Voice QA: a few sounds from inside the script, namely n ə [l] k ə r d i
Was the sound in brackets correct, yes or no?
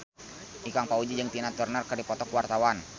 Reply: no